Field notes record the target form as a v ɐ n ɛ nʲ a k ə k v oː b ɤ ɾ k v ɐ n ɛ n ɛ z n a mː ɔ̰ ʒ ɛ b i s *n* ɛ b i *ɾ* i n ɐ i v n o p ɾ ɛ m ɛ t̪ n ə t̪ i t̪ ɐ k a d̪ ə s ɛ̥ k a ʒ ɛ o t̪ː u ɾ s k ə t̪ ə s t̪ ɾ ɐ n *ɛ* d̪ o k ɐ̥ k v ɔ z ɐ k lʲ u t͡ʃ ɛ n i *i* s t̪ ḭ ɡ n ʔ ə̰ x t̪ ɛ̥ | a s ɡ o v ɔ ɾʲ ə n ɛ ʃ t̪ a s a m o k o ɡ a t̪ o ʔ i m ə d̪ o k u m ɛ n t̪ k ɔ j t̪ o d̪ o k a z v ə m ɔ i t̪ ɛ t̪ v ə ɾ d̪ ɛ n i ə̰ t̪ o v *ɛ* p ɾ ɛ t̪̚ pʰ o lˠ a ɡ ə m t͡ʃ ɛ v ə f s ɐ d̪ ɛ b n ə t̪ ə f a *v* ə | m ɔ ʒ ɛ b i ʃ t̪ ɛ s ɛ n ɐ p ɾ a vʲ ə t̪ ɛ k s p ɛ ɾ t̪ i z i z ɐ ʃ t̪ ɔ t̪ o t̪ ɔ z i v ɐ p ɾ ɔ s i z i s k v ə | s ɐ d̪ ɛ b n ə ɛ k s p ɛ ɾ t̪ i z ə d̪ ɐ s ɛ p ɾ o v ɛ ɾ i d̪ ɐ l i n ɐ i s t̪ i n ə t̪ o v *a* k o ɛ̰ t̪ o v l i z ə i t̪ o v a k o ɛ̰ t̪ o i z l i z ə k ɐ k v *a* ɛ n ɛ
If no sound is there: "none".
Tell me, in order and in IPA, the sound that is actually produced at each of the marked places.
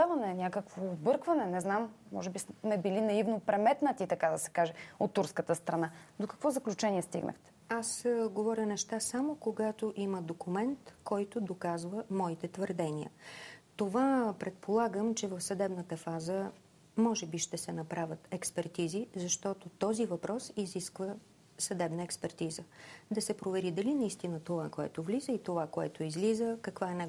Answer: m, l, a, ɛ, a, z, a, a

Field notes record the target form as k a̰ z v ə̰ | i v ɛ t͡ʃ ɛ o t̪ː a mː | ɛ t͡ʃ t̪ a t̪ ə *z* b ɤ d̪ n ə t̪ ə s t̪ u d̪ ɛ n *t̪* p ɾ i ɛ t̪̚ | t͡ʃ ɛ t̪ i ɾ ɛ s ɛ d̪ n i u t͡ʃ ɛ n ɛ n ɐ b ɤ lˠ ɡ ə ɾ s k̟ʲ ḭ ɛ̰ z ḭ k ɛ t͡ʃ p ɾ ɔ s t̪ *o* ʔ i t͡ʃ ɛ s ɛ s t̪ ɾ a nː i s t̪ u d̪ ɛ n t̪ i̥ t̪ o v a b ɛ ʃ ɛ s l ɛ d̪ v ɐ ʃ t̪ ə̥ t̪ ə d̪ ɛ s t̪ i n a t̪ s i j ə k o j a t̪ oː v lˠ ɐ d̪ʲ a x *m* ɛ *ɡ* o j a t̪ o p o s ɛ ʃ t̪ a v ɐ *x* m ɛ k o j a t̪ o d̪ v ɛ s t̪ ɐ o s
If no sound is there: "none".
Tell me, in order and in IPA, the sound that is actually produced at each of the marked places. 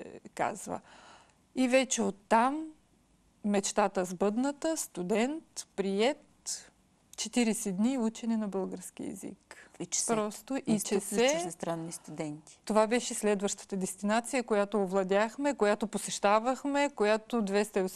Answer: z, t̪, o, m, k, x

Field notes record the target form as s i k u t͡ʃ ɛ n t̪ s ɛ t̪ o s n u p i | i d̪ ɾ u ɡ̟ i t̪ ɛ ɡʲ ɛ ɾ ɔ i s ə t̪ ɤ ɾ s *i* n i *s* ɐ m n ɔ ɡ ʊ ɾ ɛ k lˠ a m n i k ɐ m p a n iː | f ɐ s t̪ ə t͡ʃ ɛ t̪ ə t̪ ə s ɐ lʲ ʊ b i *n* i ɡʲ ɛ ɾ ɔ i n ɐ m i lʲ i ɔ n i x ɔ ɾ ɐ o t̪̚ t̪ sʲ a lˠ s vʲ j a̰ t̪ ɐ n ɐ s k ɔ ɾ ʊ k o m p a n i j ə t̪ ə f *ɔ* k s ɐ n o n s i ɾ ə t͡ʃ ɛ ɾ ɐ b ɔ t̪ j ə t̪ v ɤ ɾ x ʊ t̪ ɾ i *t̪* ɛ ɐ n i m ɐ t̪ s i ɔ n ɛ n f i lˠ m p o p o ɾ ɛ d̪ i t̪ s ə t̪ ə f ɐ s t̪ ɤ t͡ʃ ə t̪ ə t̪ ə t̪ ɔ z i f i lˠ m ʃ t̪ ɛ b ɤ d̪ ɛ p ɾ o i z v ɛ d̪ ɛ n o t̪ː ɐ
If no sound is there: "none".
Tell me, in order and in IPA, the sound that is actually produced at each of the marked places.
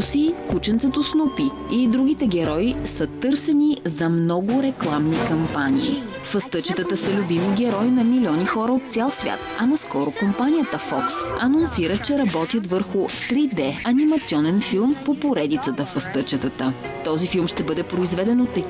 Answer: ɛ, z, m, ɔ, d̪

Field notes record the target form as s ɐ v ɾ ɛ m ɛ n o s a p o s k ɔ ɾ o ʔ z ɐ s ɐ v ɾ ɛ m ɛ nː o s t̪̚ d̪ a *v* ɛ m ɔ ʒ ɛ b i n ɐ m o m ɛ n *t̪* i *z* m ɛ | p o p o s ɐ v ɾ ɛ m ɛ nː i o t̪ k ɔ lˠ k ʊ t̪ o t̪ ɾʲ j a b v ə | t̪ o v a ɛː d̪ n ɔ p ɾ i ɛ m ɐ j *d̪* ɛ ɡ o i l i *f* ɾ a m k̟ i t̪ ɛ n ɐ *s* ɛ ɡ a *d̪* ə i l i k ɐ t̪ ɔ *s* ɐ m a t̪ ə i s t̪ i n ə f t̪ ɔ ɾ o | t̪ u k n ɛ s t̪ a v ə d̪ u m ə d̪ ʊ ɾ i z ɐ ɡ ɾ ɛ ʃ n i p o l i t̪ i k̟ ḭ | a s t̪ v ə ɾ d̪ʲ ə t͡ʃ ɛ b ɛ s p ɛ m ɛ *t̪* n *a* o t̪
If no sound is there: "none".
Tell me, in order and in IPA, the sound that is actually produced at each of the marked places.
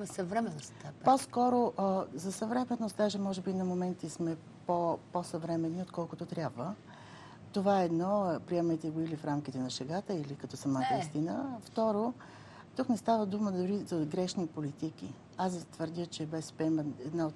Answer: ʒ, t̪, s, t̪, f, ʃ, t̪, s, d̪, a

